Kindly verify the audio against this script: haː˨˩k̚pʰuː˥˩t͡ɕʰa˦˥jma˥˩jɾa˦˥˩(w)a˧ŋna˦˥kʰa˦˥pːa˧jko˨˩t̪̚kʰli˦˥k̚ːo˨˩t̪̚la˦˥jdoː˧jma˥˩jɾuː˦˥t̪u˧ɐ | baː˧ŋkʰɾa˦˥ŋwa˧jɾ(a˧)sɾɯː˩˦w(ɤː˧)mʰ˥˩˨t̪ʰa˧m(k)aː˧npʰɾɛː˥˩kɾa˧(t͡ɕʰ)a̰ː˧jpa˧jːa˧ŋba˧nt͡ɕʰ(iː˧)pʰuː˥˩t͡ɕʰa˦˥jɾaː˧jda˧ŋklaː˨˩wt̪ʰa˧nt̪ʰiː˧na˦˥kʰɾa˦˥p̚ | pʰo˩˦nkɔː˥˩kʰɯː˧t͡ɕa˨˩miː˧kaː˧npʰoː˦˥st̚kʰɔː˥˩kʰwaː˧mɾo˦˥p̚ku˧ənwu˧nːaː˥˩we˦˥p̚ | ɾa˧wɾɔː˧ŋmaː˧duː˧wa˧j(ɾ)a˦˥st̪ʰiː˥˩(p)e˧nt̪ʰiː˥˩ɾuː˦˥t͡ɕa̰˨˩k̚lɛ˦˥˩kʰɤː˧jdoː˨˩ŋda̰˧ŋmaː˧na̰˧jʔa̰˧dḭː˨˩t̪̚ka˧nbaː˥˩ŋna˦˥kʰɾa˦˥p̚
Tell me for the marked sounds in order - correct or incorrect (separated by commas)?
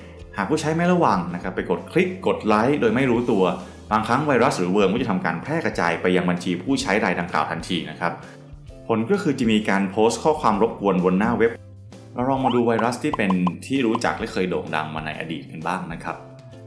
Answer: correct, incorrect, correct, correct, incorrect, correct, correct, correct